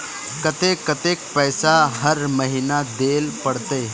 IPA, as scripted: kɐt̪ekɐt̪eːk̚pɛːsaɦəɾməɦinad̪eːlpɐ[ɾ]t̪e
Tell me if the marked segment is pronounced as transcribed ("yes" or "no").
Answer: no